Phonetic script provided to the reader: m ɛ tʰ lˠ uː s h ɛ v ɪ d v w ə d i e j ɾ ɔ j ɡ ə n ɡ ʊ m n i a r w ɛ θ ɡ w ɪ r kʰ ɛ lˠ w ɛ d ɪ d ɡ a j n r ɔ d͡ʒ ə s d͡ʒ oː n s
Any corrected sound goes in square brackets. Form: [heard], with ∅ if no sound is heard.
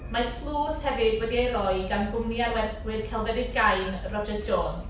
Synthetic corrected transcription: m [a] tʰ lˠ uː s h ɛ v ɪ d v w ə d i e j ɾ ɔ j ɡ [a] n ɡ ʊ m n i a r w ɛ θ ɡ w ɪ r kʰ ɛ lˠ [v] ɛ d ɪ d ɡ a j n r ɔ d͡ʒ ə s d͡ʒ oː n s

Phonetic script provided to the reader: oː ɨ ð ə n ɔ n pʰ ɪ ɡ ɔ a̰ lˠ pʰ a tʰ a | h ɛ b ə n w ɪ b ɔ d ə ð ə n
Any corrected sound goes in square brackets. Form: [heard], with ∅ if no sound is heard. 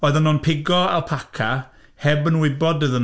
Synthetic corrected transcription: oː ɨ ð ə n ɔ n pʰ ɪ ɡ ɔ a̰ lˠ pʰ a [kʰ] a | h ɛ b ə n w ɪ b ɔ d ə ð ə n

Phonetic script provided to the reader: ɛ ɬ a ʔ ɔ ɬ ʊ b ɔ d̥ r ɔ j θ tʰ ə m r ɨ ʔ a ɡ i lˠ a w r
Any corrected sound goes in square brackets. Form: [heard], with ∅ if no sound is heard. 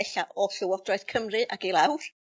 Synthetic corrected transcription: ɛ ɬ a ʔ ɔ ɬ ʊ [w] ɔ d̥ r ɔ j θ [kʰ] ə m r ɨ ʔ a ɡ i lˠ a w r

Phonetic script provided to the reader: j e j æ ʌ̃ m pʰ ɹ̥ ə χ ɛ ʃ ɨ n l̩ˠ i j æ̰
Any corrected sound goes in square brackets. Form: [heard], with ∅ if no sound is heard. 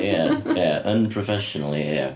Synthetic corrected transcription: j [æ] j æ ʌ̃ [n] pʰ ɹ̥ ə [f] ɛ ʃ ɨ n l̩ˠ i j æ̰

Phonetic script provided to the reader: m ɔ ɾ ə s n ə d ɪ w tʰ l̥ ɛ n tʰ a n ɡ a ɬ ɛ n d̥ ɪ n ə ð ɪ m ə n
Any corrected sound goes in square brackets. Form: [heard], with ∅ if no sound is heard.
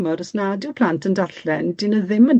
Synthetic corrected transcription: m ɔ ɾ ə s n [a] d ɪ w [pʰ] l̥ [a] n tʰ [ə] n [d] a ɬ ɛ n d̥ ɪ n ə ð ɪ m ə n

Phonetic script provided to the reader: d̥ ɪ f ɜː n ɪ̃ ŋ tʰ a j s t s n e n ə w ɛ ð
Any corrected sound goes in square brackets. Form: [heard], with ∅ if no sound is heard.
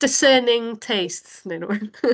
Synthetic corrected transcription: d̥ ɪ [s] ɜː n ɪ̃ ŋ tʰ [e] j s t s n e n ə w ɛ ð

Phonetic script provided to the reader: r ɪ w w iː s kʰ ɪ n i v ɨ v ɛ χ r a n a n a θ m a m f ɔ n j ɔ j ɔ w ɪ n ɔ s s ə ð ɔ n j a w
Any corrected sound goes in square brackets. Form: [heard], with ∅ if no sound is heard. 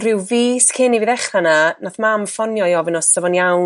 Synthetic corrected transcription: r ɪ w [v] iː s kʰ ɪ n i v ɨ [ð] ɛ χ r a n a n a θ m a m f ɔ n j ɔ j ɔ [v] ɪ n ɔ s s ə [v] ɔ n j a w

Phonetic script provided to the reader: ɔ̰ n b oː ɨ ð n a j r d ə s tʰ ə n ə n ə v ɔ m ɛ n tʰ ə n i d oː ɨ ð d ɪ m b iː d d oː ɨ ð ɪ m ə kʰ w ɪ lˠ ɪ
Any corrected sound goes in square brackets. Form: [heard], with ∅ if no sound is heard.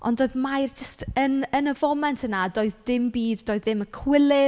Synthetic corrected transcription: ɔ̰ n [d] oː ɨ ð [m] a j r [d͡ʒ] ə s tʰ ə n ə n ə v ɔ m ɛ n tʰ ə n [a] d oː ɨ ð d ɪ m b iː d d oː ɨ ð ɪ m ə kʰ w ɪ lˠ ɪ

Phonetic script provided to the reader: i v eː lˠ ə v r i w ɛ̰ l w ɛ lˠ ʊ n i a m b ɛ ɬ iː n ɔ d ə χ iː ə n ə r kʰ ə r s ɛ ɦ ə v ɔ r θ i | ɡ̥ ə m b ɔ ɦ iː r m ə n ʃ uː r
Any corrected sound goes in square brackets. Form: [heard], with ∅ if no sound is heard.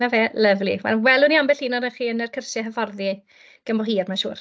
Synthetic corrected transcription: [a] v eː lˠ ə v [l] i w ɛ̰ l w ɛ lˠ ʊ n i a m b ɛ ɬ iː n ɔ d ə χ iː ə n ə r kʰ ə r s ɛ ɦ ə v ɔ r [ð] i | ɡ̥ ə m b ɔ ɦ iː r m [a] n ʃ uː r

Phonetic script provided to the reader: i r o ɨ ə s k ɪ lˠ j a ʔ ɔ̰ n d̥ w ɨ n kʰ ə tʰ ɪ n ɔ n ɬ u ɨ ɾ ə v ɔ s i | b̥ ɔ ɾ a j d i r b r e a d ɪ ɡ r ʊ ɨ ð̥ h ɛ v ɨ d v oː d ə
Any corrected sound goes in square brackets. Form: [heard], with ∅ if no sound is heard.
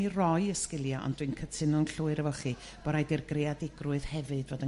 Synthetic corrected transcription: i r [ɔ] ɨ ə s k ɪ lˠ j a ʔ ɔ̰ n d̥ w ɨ n kʰ ə tʰ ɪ n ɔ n ɬ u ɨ ɾ ə v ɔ [χ] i | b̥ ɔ ɾ a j d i r [ɡ] r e a d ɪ ɡ r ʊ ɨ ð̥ h ɛ v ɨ d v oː d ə

